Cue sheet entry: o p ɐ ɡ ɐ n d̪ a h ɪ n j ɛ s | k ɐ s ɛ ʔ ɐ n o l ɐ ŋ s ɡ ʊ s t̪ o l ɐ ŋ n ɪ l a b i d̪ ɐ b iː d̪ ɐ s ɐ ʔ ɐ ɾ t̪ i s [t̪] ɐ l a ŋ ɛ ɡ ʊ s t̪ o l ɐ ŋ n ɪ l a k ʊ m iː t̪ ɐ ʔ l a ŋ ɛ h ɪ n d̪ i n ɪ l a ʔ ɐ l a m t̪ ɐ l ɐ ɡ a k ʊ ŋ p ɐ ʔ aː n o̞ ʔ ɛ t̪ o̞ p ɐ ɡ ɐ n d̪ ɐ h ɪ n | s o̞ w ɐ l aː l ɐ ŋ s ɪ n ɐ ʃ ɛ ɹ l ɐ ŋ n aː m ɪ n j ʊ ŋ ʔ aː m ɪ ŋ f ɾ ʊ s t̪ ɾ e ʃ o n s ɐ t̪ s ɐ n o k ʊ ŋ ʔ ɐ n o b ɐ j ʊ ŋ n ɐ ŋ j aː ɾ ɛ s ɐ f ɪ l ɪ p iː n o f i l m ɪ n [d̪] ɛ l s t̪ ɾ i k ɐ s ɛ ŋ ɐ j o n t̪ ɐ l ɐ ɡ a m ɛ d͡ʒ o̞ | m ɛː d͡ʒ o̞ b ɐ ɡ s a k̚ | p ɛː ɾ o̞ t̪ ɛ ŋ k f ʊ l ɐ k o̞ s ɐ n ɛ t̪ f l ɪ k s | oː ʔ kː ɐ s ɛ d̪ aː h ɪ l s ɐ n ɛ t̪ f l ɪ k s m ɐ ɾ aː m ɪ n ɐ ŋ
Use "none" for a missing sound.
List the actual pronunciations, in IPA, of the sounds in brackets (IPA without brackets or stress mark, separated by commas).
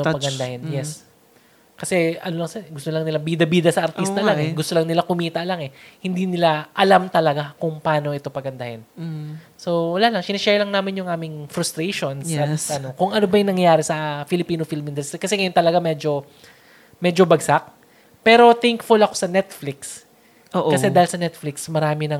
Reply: t̪, d̪